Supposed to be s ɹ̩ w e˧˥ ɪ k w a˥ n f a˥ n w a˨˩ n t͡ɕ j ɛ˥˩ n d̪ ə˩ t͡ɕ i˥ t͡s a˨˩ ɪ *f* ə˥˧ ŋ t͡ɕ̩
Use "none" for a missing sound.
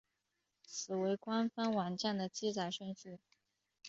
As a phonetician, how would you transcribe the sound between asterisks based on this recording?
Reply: ʂ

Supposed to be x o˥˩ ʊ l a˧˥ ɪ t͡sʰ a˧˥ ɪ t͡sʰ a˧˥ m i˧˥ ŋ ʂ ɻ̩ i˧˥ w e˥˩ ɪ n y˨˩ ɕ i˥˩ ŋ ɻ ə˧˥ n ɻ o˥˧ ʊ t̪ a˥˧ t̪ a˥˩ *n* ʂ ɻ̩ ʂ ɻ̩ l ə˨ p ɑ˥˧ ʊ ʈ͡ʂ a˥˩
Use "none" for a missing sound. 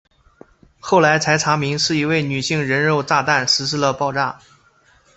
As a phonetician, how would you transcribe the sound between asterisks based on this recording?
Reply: n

